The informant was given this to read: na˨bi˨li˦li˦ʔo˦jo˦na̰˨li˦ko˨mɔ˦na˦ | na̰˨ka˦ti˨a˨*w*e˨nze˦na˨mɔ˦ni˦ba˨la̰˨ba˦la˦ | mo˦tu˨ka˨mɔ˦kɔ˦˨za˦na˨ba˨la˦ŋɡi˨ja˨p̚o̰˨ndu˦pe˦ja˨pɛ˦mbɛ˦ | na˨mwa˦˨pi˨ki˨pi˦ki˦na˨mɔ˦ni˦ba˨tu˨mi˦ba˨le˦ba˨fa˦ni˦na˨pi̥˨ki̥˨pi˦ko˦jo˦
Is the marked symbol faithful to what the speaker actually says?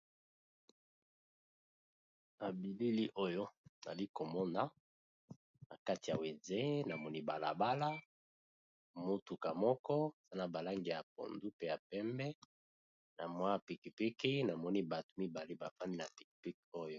yes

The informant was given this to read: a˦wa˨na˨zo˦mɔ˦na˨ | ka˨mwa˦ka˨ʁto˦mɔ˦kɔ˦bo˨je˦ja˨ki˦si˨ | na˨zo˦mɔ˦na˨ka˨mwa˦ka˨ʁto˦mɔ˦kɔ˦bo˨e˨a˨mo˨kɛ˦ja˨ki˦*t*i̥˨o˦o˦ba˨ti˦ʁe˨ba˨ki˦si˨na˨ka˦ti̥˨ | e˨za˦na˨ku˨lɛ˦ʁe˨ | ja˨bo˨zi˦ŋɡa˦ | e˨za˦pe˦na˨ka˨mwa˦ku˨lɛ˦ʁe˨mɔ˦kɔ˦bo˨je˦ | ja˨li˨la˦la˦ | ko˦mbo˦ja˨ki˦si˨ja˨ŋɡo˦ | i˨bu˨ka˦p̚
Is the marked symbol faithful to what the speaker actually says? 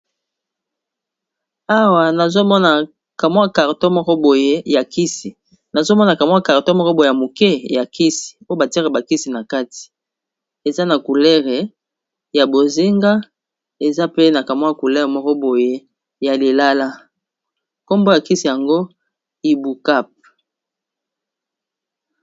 no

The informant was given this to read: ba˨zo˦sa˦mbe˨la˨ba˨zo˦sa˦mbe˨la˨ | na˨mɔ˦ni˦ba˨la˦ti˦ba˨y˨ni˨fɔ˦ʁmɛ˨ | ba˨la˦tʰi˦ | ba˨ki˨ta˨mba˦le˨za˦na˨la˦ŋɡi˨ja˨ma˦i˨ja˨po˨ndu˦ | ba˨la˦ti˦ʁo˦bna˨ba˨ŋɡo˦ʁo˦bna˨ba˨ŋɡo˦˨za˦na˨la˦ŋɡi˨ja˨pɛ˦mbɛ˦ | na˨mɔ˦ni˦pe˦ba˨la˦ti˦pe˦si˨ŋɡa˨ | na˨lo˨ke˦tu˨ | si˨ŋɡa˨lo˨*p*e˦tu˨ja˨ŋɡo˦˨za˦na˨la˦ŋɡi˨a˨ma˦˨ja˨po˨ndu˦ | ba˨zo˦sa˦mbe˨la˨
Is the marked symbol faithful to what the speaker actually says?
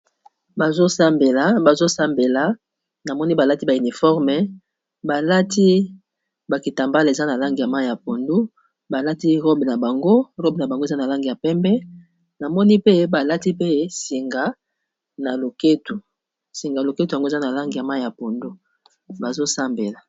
no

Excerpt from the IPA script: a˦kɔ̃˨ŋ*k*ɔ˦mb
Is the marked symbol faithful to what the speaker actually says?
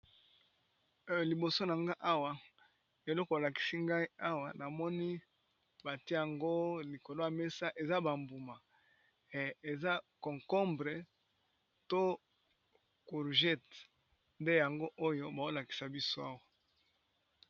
yes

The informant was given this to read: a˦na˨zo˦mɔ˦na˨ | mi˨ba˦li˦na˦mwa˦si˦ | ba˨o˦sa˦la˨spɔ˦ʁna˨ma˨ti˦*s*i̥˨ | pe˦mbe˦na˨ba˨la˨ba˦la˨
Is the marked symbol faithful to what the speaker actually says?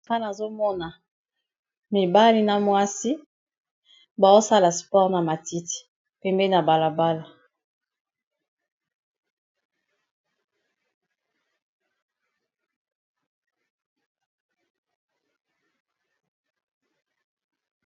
no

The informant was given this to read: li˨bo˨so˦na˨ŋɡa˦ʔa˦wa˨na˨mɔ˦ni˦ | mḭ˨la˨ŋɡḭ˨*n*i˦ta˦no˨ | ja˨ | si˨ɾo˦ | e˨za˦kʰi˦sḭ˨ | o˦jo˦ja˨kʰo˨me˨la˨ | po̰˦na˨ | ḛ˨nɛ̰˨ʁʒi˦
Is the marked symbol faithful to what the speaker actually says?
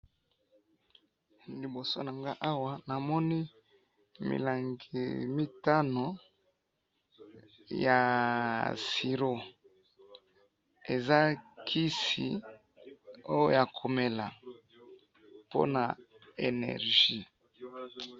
no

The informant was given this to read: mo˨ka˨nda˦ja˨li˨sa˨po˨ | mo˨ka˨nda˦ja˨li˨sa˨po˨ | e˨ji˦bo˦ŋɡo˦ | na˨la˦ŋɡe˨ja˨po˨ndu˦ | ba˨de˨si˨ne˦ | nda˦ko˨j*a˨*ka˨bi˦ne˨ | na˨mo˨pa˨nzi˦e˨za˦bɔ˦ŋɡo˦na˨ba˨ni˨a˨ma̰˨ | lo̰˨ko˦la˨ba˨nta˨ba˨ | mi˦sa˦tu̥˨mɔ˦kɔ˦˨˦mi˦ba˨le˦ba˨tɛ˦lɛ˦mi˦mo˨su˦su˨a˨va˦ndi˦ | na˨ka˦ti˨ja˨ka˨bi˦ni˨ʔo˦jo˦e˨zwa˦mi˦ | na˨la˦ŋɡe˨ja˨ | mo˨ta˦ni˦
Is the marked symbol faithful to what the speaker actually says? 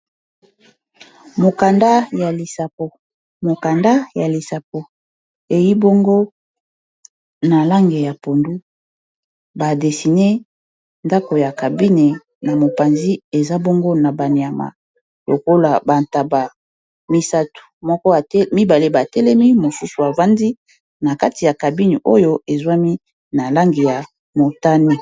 yes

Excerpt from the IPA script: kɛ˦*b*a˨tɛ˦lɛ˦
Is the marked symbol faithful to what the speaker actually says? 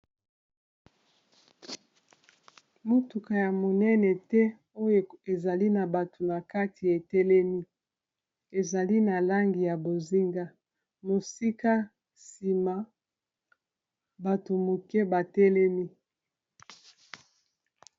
yes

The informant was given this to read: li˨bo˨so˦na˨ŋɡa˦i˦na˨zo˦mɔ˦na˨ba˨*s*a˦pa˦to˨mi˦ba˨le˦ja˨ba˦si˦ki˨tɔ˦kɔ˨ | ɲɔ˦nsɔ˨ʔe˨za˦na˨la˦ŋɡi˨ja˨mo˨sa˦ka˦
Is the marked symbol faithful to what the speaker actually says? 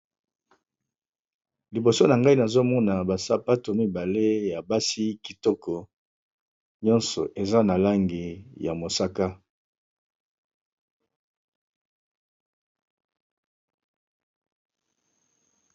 yes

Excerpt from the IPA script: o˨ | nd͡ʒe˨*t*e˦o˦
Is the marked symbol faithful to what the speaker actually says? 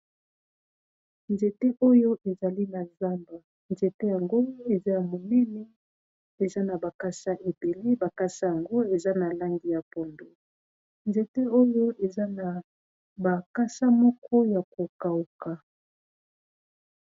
yes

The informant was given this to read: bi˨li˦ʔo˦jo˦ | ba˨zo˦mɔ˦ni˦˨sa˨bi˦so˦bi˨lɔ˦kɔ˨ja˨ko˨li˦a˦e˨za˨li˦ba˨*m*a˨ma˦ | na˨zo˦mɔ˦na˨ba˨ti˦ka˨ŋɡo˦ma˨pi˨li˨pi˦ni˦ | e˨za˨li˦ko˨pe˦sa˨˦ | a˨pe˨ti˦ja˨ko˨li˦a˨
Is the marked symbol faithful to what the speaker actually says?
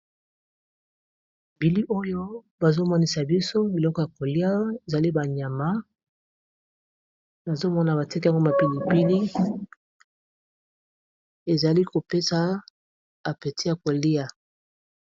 no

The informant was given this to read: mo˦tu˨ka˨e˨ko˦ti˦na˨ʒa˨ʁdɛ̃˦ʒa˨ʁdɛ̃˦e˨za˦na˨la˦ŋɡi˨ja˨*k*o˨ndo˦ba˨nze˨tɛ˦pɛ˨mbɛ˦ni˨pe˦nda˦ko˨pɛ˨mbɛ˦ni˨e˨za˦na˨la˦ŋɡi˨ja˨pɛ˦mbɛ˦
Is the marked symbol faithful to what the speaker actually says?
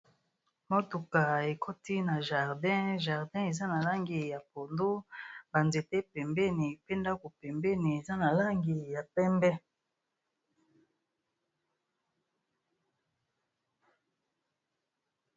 no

